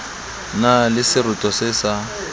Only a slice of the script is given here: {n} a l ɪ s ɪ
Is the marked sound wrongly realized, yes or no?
no